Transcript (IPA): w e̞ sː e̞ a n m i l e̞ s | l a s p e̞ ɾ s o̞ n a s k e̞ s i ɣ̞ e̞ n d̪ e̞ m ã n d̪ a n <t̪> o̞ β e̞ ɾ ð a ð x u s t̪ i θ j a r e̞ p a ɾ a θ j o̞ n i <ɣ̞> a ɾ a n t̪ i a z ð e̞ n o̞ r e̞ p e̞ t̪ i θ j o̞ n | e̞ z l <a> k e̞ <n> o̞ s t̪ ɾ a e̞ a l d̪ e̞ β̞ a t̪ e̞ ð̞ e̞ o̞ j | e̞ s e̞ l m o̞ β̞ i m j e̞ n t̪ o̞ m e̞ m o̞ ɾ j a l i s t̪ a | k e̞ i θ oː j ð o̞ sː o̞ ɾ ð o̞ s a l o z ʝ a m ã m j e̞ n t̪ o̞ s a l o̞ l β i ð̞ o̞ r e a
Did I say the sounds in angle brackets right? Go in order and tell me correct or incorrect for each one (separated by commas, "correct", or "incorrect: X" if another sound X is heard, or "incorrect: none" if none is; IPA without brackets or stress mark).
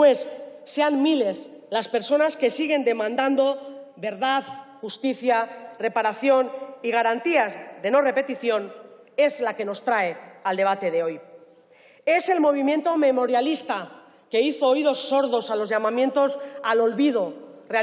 incorrect: d̪, correct, correct, correct